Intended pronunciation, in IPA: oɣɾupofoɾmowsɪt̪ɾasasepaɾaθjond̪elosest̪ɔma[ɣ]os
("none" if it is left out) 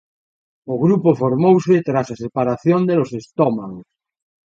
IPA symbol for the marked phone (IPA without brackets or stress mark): ɣ